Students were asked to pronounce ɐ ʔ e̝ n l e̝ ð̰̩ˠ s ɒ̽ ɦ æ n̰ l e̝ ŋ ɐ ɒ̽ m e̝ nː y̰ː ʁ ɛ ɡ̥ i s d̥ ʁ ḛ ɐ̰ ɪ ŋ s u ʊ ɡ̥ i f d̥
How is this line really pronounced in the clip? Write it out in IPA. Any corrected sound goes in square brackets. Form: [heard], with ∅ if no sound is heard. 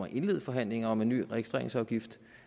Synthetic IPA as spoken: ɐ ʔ e̝ n l e̝ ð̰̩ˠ [f] ɒ̽ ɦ æ n̰ l e̝ ŋ ɐ ɒ̽ m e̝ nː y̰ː ʁ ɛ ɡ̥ i s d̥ ʁ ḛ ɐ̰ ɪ ŋ s [ɒ] ʊ ɡ̥ i f d̥